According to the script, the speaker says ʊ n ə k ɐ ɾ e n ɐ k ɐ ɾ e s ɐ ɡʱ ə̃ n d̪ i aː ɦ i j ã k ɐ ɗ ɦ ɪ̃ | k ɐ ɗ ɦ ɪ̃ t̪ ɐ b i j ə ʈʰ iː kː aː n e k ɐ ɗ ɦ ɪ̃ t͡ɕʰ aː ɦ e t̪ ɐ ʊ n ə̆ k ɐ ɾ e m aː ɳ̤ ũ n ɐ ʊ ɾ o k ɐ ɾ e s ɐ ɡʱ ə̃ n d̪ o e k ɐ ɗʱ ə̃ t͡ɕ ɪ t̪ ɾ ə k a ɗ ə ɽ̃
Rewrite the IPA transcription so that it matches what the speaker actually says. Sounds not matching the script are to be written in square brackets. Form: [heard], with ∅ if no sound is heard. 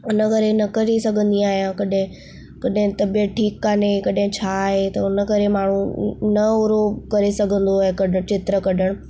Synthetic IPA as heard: ʊ n ə k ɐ ɾ e n ɐ k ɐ ɾ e s ɐ ɡʱ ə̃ n d̪ i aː ɦ i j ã k ɐ ɗ ɦ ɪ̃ | k ɐ ɗ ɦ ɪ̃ t̪ ɐ b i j ə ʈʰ iː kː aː n e k ɐ ɗ ɦ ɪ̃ t͡ɕʰ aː ɦ e t̪ ɐ ʊ n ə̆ k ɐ ɾ e m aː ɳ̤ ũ n ɐ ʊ ɾ o k ɐ ɾ e s ɐ ɡʱ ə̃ n d̪ o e k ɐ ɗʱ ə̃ t͡ɕ ɪ t̪ ɾ ə k [ɐ] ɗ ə ɽ̃